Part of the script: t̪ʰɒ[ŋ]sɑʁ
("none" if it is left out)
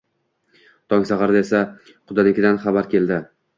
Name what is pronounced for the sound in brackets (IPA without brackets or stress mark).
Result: ŋ